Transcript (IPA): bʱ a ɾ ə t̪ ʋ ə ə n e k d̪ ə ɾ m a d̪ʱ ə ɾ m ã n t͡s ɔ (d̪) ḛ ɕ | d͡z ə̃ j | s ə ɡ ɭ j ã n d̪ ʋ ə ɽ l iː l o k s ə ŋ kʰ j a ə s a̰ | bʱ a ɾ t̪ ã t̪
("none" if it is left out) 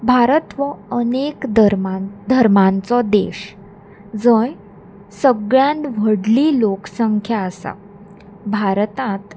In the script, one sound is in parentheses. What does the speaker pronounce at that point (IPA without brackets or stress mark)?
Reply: d̪